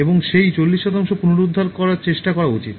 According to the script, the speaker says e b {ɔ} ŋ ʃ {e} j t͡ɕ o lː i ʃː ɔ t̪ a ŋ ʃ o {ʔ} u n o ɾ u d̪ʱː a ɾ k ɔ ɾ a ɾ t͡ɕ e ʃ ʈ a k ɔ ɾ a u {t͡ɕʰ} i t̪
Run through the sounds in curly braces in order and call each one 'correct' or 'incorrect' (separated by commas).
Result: incorrect, correct, incorrect, incorrect